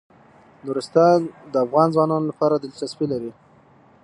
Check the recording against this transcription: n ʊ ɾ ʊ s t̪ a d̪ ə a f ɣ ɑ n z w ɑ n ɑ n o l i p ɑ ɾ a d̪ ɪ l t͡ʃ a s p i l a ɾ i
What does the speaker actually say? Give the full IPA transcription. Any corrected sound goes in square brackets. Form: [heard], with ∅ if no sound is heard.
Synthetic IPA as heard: n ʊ ɾ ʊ s t̪ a d̪ ə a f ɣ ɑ n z w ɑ n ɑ n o l [a] p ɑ ɾ a d̪ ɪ l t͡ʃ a s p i l a ɾ i